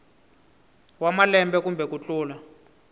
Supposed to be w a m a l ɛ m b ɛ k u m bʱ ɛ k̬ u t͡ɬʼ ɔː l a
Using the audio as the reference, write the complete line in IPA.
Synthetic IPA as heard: w a m a l ɛ m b ɛ k u m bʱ ɛ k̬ u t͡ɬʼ uː l a